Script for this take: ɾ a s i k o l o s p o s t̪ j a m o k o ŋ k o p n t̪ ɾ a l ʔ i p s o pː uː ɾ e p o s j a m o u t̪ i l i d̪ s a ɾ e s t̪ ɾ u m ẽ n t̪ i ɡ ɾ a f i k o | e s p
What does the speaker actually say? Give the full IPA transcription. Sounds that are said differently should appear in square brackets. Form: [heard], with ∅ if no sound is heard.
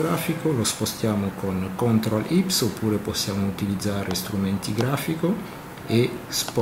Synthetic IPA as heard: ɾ a [f] i k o l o s p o s t̪ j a m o k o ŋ k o [∅] n t̪ ɾ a l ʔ i p s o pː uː ɾ e p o s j a m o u t̪ i l i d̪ [z] a ɾ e s t̪ ɾ u m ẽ n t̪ i ɡ ɾ a f i k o | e s p